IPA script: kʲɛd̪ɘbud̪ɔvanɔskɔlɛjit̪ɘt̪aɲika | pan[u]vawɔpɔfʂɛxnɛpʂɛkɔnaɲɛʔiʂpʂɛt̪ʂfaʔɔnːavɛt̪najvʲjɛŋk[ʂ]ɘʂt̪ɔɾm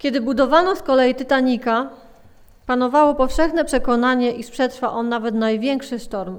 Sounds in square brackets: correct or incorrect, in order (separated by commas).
incorrect, correct